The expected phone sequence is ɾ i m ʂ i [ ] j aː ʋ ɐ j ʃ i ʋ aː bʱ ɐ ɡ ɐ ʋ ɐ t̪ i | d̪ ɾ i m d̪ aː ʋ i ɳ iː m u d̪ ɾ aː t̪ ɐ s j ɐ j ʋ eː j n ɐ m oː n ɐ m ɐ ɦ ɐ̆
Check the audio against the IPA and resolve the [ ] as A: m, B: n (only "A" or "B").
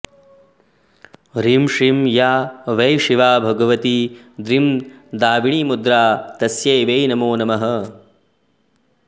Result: A